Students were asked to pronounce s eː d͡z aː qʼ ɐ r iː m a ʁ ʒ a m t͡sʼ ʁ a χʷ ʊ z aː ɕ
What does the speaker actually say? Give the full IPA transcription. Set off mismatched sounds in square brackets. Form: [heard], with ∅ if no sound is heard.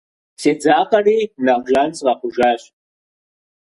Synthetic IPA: s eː d͡z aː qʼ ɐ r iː [n] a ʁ ʒ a [n] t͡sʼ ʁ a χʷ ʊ [ʒ] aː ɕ